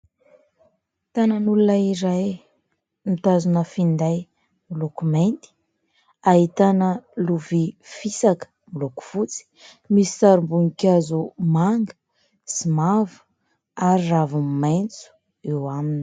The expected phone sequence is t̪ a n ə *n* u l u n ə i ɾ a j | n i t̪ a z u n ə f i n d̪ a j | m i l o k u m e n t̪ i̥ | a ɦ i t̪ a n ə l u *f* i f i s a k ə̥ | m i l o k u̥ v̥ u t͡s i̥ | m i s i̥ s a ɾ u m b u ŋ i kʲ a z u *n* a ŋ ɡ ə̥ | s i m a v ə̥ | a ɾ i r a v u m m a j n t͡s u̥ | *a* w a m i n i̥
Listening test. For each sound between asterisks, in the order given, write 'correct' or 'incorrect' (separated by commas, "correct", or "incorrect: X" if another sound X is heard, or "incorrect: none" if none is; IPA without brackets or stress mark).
correct, incorrect: v, incorrect: m, incorrect: e